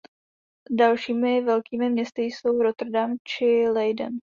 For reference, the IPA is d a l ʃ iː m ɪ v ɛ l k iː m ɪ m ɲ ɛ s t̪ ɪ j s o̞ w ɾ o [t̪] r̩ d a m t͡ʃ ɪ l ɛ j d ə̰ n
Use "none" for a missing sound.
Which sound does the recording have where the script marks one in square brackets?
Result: t̪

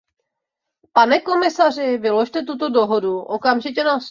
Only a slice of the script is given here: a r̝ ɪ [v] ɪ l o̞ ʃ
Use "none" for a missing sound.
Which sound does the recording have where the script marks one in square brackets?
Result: v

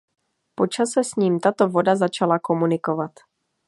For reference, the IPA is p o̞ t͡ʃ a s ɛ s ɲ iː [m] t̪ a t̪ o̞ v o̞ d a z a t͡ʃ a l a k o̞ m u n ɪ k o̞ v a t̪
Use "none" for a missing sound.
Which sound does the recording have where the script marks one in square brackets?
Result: m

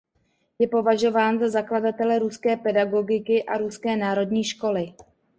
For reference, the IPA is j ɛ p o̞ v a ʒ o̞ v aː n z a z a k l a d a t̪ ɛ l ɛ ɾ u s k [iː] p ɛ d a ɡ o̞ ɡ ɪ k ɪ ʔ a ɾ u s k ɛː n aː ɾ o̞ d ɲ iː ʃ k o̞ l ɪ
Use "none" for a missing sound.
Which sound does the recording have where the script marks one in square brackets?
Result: ɛː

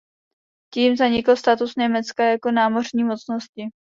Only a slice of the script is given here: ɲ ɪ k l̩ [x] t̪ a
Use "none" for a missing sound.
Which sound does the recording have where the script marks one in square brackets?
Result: s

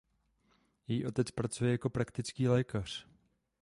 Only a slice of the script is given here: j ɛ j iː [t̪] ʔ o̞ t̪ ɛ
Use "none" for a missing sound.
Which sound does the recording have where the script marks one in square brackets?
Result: none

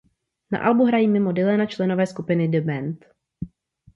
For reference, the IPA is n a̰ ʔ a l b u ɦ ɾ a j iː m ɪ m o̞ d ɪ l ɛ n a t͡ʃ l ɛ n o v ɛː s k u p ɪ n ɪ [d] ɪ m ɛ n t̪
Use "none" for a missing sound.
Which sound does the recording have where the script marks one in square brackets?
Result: d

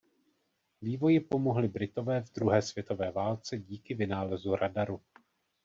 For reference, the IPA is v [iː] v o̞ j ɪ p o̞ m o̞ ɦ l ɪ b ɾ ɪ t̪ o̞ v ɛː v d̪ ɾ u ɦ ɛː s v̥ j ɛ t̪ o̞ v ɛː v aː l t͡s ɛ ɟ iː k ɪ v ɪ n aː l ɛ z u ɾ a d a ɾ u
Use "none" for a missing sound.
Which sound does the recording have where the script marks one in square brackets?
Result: iː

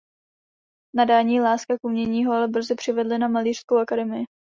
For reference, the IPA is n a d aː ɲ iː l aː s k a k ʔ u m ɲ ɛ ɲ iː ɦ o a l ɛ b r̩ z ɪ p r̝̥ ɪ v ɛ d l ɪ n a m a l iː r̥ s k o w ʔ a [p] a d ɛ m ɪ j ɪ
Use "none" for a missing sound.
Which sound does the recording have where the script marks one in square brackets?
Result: k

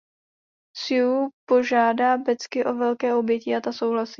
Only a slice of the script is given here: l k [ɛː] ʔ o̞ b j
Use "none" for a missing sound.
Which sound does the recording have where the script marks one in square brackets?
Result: ɛː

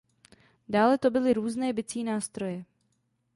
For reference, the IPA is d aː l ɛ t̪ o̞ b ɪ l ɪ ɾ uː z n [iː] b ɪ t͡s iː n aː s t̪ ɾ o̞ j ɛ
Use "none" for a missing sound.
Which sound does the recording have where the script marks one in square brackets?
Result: ɛː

